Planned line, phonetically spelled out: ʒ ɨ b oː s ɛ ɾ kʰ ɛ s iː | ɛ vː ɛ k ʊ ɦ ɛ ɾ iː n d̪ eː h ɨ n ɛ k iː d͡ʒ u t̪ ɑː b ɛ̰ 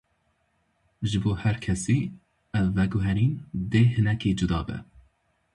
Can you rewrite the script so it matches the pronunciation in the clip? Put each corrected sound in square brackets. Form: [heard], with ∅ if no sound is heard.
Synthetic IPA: ʒ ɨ b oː [h] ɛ ɾ kʰ ɛ s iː | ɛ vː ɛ [ɡ] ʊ ɦ ɛ ɾ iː n d̪ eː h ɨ n ɛ k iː d͡ʒ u [d̪] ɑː b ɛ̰